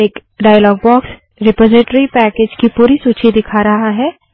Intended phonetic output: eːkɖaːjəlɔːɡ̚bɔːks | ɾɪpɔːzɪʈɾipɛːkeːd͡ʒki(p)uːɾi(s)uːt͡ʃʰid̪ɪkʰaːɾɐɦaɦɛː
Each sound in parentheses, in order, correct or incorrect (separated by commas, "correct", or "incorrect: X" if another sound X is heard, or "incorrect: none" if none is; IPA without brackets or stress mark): correct, correct